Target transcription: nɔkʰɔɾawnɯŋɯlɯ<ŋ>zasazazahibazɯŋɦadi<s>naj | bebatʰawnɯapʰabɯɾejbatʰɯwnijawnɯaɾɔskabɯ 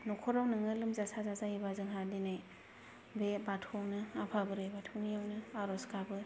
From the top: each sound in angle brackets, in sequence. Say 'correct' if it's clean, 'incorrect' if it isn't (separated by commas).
incorrect, incorrect